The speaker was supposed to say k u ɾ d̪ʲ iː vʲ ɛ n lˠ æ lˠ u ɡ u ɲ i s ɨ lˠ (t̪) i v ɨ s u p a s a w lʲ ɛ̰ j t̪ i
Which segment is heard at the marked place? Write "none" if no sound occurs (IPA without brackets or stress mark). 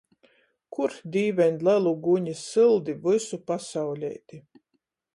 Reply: d̪